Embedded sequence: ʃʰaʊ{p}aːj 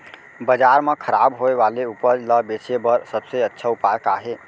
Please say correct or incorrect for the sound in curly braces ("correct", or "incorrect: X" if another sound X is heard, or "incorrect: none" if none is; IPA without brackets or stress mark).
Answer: correct